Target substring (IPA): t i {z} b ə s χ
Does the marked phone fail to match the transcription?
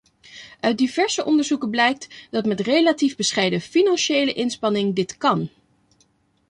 yes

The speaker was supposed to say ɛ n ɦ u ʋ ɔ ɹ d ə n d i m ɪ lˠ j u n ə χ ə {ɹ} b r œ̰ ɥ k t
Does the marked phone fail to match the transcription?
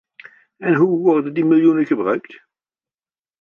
yes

